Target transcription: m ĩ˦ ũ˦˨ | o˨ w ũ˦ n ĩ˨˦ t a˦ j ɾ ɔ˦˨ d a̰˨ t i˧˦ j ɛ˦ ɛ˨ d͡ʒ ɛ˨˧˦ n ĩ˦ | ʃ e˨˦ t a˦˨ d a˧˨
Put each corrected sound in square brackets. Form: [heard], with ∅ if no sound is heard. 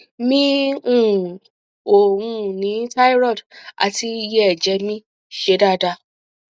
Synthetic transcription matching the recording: m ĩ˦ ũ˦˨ | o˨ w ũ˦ n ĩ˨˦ t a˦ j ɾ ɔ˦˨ d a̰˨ t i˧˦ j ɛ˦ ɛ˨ d͡ʒ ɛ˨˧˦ [m] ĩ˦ | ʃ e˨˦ [d] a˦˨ d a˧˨